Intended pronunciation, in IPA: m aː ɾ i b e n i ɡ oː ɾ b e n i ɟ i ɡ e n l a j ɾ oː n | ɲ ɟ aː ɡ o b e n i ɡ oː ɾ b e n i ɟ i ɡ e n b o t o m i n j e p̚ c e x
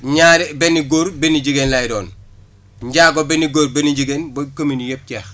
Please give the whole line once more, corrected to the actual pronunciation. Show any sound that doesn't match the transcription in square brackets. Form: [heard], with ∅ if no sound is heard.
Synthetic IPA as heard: [ɲ] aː ɾ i b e n i ɡ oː ɾ b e n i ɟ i ɡ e n l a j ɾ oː n | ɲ ɟ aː ɡ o b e n i ɡ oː ɾ b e n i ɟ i ɡ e n b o [k] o m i n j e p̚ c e x